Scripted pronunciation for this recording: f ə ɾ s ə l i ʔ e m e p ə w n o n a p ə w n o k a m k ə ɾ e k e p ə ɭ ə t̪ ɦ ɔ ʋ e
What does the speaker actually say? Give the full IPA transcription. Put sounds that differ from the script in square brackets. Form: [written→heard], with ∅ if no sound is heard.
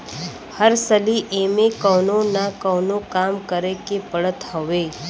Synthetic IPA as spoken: [f→h] ə ɾ s ə l i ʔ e m e [p→k] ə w n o n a [p→k] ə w n o k a m k ə ɾ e k e p ə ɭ ə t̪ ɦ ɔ ʋ e